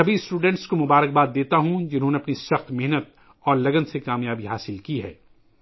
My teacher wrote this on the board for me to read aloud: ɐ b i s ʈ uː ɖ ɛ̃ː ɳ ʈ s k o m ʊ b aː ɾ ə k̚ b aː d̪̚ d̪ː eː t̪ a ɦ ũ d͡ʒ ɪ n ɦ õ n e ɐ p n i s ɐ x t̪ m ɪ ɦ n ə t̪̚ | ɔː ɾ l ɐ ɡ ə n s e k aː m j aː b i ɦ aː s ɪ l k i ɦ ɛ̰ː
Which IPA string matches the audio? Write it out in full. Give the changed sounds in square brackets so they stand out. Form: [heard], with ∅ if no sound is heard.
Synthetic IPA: ɐ b i s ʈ uː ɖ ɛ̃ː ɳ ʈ s k o m ʊ b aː ɾ ə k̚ b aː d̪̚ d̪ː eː t̪ a ɦ ũ d͡ʒ ɪ n ɦ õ n e ɐ p n i s ɐ x t̪ m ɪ ɦ n ə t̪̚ | ɔː ɾ l ɐ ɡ ə n s e k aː m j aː b i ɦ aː s ɪ l k i ɦ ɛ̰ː

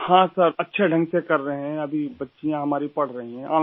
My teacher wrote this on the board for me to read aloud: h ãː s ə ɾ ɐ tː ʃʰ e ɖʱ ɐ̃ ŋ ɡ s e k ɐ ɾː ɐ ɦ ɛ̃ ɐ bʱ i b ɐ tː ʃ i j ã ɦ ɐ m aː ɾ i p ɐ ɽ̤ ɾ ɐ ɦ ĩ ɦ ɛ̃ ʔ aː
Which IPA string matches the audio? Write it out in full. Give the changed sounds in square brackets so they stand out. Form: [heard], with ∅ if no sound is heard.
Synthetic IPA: h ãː s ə ɾ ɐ tː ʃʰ e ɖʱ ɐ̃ ŋ ɡ s e k ɐ ɾː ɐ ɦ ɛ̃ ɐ bʱ i b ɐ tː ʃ i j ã ɦ ɐ m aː ɾ i p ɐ ɽ̤ ɾ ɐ ɦ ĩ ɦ ɛ̃ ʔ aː

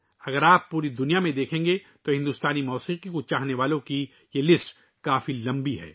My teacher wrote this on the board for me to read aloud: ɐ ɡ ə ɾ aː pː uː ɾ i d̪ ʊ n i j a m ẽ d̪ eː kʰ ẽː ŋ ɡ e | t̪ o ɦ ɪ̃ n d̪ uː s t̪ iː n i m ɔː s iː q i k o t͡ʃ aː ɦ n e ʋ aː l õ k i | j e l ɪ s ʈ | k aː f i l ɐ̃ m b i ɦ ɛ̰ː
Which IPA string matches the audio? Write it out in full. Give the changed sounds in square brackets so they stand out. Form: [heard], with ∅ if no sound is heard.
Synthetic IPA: ɐ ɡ ə ɾ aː pː uː ɾ i d̪ ʊ n i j a m ẽ d̪ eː kʰ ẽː ŋ ɡ e | t̪ o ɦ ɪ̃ n d̪ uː s t̪ [aː] n i m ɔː s iː q i k o t͡ʃ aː ɦ n e ʋ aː l õ k i | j e l ɪ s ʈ | k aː f i l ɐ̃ m b i ɦ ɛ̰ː

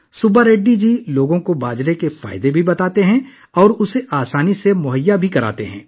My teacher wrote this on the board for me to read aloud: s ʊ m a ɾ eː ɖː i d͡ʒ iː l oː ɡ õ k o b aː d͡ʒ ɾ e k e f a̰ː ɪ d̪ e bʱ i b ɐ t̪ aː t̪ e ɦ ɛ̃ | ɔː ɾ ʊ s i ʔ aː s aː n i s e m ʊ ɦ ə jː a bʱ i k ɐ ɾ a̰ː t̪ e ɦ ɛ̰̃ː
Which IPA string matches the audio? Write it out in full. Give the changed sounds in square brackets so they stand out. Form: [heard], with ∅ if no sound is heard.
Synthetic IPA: s ʊ [b] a ɾ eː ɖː i d͡ʒ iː l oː ɡ õ k o b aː d͡ʒ ɾ e k e f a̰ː ɪ d̪ e bʱ i b ɐ t̪ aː t̪ e ɦ ɛ̃ | ɔː ɾ ʊ s [e] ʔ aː s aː n i s e m ʊ ɦ ə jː a bʱ i k ɐ ɾ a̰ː t̪ e ɦ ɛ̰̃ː

